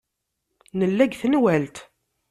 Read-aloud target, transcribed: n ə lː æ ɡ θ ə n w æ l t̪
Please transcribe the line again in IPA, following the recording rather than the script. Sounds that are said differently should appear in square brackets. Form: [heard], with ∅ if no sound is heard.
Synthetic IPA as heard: n ə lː æ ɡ θ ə n w æ l t̪